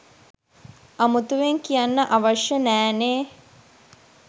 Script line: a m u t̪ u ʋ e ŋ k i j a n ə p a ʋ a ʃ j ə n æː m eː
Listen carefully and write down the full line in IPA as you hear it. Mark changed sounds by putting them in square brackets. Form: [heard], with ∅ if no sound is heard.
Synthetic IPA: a m u t̪ u ʋ e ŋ k i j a [nː] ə [ʔ] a ʋ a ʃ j ə n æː [n] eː